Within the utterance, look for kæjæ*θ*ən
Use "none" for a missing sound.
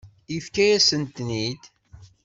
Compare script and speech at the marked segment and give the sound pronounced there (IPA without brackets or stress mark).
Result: s